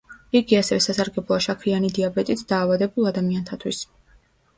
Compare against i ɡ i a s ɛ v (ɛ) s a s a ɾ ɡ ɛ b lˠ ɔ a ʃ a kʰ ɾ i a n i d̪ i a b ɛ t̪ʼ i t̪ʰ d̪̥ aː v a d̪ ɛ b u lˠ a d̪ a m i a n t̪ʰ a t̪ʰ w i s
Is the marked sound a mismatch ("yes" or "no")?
no